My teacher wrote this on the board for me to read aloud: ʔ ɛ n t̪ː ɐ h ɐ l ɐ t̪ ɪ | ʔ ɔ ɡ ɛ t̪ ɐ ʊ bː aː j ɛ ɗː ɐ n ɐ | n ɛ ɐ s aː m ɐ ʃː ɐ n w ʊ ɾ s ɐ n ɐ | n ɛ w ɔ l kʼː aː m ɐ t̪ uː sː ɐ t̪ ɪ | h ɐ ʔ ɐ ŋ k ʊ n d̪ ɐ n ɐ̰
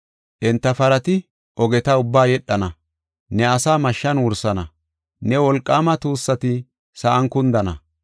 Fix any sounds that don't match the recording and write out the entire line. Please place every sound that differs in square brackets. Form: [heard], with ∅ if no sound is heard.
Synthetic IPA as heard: ʔ ɛ n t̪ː ɐ [f] ɐ [ɾ] ɐ t̪ ɪ | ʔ ɔ ɡ ɛ t̪ ɐ ʊ bː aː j ɛ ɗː ɐ n ɐ | n ɛ ɐ s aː m ɐ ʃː ɐ n w ʊ ɾ s ɐ n ɐ | n ɛ w ɔ l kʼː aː m ɐ t̪ uː sː ɐ t̪ ɪ | [s] ɐ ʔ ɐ ŋ k ʊ n d̪ ɐ n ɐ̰